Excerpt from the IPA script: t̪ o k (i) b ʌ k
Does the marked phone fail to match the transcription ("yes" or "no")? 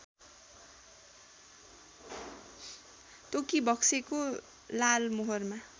no